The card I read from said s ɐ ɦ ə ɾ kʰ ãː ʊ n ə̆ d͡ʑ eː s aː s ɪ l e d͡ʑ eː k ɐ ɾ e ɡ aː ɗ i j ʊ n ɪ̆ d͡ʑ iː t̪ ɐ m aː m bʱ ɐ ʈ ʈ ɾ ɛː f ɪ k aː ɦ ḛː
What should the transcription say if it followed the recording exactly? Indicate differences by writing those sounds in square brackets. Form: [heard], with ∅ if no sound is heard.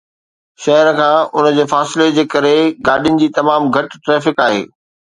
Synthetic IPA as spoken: [ʃ] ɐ ɦ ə ɾ kʰ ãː ʊ n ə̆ d͡ʑ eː [f] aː s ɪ l e d͡ʑ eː k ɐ ɾ e ɡ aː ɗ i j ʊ n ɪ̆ d͡ʑ iː t̪ ɐ m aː m [ɡʱ] ɐ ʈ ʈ ɾ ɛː f ɪ k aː ɦ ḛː